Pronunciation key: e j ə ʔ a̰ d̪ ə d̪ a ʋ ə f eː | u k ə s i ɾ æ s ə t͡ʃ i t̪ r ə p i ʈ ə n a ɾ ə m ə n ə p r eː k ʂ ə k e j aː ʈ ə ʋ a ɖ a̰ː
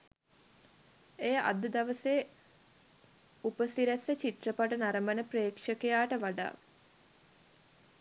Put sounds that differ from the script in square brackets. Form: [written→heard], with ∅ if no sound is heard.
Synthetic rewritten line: e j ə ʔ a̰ d̪ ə d̪ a ʋ ə [f→s] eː | u [k→p] ə s i ɾ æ s ə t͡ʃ i t̪ r ə p [i→a] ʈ ə n a ɾ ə m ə n ə p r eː k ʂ ə k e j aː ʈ ə ʋ a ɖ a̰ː

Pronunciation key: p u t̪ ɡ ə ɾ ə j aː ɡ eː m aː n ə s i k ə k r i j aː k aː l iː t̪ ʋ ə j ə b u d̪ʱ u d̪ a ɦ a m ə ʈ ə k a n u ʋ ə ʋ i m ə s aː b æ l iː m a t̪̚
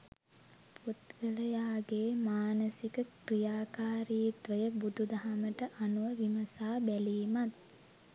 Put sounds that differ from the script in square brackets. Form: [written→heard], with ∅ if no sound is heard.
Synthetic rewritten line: p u t̪ ɡ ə [ɾ→l] ə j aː ɡ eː m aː n ə s i k ə k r i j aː k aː [l→ɾ] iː t̪ ʋ ə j ə b u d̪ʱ u d̪ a ɦ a m ə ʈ ə [k→ʔ] a n u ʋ ə ʋ i m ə s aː b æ l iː m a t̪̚

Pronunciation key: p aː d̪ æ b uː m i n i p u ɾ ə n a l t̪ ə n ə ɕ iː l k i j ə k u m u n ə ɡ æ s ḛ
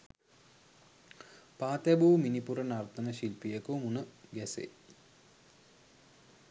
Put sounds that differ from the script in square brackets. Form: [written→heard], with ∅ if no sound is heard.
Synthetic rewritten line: p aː [d̪→t̪] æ b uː m i n i p u ɾ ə n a [l→r] t̪ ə n ə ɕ [iː→i] l [k→p] i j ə k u m u n ə ɡ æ s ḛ

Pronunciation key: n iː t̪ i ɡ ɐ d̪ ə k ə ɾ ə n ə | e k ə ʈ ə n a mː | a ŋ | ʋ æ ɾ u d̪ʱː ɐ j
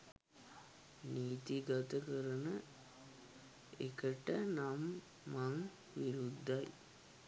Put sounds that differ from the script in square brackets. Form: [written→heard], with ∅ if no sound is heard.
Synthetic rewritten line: n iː t̪ i ɡ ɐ [d̪→t̪] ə k ə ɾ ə n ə | e k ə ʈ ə n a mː | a ŋ | ʋ [æ→i] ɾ u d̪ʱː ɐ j

